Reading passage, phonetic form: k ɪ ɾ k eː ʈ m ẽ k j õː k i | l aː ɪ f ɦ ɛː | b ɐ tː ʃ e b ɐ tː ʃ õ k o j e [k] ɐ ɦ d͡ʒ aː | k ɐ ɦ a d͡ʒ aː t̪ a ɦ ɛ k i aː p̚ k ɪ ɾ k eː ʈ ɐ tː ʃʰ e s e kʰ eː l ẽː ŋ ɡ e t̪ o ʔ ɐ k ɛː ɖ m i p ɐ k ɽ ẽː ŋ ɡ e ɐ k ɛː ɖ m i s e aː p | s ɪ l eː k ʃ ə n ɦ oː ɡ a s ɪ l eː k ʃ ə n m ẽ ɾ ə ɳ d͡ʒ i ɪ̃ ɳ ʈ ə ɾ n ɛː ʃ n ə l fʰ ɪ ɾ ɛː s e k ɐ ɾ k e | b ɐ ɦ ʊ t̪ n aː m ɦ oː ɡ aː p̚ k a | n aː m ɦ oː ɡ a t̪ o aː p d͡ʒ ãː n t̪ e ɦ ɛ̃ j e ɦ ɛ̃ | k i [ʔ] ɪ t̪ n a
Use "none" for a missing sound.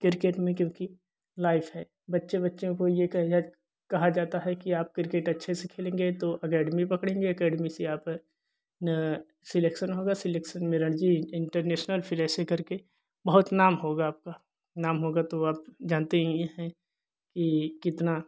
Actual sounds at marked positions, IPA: k, k

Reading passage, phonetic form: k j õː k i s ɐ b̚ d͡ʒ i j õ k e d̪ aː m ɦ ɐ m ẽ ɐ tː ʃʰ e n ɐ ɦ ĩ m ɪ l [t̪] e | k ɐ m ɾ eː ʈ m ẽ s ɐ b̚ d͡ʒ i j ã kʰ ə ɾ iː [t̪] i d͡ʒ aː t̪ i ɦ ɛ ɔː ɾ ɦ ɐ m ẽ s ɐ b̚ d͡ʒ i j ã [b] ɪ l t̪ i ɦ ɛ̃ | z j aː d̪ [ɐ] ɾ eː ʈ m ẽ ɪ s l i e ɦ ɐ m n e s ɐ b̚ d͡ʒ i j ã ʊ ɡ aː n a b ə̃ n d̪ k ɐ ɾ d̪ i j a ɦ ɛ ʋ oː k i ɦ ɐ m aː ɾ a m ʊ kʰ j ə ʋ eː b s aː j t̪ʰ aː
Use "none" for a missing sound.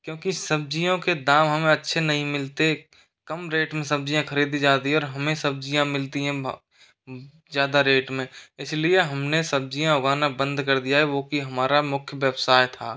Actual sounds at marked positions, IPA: t̪, d̪, m, a

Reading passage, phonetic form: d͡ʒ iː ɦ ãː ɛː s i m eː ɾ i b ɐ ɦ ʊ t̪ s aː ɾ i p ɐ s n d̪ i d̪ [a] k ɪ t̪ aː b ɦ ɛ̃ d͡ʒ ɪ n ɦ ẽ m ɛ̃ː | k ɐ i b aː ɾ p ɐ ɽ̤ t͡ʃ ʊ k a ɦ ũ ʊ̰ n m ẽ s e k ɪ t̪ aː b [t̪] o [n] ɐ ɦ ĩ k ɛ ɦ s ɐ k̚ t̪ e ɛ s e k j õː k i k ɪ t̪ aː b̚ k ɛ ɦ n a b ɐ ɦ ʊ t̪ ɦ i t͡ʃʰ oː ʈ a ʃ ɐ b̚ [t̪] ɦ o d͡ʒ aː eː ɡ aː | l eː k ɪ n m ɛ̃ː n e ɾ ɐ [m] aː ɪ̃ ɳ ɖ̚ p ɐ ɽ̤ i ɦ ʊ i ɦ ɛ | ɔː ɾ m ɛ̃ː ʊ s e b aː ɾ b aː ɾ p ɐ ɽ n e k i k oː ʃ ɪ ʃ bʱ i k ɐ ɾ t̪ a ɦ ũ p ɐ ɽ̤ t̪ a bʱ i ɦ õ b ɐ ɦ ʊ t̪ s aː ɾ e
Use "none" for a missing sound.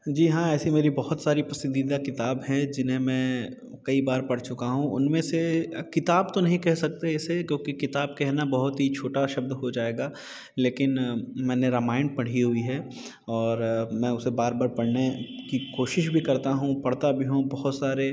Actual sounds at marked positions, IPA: a, t̪, n, d̪, m

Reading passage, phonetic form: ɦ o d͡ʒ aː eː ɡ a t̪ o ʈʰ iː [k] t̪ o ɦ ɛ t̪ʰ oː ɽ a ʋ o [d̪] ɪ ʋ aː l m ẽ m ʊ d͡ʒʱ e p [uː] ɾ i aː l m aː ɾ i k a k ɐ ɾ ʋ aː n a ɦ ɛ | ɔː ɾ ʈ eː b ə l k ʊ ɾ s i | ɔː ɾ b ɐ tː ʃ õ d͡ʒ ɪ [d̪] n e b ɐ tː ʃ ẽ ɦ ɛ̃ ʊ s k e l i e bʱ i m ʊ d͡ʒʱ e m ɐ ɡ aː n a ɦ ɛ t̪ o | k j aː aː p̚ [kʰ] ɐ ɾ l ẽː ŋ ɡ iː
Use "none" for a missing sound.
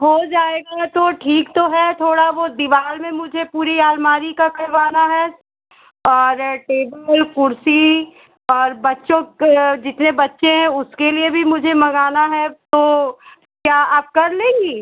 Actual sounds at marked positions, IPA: k, d̪, uː, t̪, k

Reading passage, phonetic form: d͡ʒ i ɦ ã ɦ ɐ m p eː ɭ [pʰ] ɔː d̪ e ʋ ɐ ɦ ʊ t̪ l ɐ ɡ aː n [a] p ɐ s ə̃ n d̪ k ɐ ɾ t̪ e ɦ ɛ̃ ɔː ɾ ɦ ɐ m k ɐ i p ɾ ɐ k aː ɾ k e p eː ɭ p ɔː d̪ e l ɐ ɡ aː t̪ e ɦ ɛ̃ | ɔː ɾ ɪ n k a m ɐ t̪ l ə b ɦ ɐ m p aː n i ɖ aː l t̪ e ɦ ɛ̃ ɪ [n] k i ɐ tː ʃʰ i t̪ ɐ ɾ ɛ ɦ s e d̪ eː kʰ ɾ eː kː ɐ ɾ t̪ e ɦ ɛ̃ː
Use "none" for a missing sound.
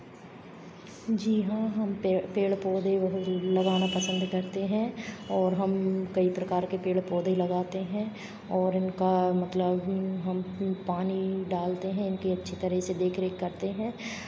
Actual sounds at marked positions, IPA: p, a, n

